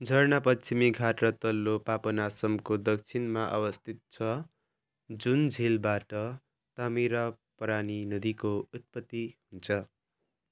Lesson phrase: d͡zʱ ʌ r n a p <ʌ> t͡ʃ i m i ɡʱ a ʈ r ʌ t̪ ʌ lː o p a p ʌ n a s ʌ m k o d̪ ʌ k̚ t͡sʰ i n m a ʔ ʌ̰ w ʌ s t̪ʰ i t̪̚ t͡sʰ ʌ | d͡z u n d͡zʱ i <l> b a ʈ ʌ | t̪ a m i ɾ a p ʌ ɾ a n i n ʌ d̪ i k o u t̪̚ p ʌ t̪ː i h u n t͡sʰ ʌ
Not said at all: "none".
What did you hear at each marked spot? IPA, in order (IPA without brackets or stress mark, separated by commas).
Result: ʌ, l